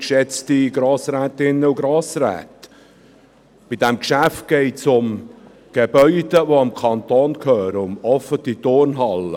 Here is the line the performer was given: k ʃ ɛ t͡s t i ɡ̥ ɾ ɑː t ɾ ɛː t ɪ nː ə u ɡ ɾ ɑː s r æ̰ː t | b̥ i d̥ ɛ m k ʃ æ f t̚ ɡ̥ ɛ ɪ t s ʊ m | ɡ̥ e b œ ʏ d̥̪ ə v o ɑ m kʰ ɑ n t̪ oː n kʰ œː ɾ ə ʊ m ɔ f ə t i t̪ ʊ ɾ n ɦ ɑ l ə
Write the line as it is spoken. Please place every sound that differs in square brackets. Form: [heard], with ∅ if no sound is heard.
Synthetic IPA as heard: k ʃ ɛ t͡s t i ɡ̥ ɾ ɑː [s] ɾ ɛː t ɪ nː ə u ɡ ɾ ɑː s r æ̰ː t | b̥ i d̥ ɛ m k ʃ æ f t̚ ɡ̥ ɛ ɪ t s ʊ m | ɡ̥ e b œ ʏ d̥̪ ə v o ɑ m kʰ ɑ n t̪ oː n kʰ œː ɾ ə ʊ m ɔ f ə t i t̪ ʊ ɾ n ɦ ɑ l ə